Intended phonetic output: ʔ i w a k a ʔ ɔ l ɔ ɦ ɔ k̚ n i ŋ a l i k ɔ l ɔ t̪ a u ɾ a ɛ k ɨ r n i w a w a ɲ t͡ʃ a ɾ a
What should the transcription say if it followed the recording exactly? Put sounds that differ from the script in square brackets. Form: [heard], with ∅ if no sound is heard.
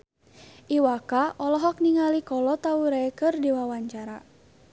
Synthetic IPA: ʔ i w a k a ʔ ɔ l ɔ ɦ ɔ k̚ n i ŋ a l i k ɔ l ɔ t̪ a u ɾ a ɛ k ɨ r [d] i w a w a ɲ t͡ʃ a ɾ a